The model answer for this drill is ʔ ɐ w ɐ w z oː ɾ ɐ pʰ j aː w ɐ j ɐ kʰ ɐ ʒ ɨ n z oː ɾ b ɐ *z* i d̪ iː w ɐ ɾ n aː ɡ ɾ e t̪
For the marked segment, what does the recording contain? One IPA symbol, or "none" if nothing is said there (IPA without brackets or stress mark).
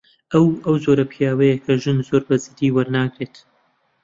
z